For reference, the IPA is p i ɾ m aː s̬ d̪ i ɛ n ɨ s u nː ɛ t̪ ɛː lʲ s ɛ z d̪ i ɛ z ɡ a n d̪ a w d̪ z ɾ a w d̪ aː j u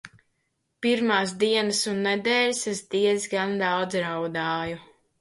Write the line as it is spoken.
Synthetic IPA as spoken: p i ɾ m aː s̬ d̪ i ɛ n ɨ s u nː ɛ d̪ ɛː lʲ s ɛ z d̪ i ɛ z ɡ a n d̪ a w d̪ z ɾ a w d̪ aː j u